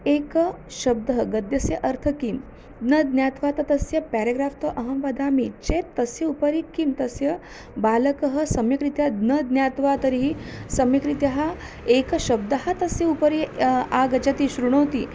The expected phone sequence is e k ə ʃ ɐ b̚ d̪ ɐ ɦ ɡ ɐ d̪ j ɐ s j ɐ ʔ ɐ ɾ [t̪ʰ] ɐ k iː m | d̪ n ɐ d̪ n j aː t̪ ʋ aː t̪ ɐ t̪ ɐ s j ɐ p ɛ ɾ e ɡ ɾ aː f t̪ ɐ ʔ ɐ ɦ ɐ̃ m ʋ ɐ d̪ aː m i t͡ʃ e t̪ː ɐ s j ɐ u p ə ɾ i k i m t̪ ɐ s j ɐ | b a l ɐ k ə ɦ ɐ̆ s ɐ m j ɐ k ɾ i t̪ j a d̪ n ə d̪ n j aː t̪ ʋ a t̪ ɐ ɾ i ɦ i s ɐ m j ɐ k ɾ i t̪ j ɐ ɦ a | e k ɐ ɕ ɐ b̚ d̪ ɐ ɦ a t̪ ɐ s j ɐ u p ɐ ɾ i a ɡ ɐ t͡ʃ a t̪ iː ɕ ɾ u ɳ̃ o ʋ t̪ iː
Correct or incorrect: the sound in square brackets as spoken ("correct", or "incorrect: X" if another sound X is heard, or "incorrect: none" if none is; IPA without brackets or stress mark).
correct